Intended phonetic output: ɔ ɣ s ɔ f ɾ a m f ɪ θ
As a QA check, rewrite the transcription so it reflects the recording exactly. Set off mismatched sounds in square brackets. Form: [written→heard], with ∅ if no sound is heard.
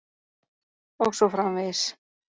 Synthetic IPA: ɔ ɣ s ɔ f ɾ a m [f→v] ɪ [θ→s]